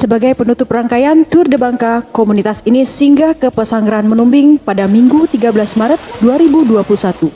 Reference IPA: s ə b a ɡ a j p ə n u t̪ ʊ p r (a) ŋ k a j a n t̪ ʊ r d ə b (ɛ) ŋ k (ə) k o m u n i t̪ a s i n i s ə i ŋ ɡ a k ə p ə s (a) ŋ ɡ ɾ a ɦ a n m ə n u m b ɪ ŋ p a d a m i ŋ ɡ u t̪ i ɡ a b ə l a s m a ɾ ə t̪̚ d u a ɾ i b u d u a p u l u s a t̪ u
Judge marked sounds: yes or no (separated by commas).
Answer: yes, no, no, yes